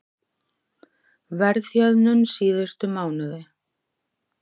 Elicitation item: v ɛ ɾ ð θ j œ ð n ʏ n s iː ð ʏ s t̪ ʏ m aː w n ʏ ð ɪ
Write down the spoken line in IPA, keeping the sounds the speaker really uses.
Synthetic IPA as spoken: v ɛ ɾ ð θ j œ ð n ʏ n s iː ð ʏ s t̪ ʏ m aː w n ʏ ð ɪ